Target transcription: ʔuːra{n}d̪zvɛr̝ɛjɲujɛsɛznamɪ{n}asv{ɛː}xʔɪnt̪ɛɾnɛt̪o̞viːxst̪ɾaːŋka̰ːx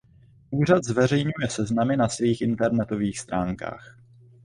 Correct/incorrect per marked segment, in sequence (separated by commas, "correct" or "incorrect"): incorrect, correct, incorrect